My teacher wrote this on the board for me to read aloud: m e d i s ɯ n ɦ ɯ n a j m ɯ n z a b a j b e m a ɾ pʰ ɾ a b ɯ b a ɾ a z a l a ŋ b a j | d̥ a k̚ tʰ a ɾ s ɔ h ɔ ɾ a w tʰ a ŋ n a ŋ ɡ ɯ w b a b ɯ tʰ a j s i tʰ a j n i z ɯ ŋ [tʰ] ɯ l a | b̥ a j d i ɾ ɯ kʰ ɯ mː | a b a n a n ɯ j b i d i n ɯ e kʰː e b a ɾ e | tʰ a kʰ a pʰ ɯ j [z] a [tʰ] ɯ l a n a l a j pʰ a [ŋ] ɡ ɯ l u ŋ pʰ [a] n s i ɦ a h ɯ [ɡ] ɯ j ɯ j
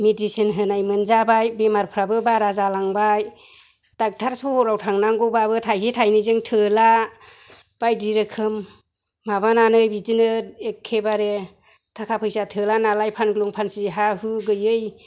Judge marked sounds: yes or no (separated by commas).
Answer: yes, no, yes, no, yes, yes